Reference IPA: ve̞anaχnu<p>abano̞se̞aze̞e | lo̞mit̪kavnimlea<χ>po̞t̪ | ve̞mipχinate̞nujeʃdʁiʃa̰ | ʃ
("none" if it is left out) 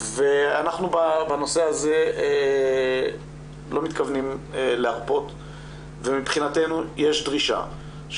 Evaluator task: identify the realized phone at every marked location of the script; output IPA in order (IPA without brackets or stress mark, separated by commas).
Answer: b, ʁ